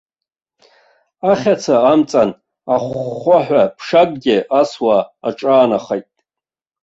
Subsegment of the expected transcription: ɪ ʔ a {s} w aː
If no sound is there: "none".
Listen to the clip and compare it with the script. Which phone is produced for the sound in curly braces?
s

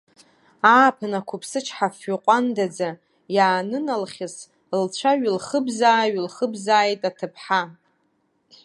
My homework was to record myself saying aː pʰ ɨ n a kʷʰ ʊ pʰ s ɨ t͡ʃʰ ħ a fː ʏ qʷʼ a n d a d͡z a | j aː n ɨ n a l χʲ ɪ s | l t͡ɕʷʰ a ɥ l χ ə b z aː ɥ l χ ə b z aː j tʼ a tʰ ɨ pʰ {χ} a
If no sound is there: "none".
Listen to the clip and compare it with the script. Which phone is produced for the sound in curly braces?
ħ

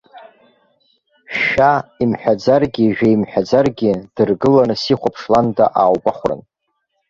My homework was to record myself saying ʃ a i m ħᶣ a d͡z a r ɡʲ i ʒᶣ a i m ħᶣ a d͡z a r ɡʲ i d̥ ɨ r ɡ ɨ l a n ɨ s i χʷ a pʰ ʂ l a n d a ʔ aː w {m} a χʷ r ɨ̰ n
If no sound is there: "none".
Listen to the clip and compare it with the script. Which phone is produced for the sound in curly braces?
b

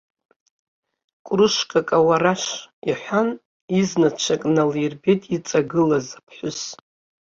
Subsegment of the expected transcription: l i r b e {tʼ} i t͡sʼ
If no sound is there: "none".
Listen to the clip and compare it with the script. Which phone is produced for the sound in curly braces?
tʼ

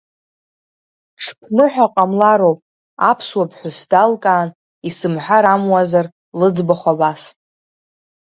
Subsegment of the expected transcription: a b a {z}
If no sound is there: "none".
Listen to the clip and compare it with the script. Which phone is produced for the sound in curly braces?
s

